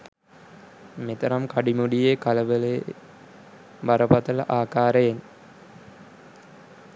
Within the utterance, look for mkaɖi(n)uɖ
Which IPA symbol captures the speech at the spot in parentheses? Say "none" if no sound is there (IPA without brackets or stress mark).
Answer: m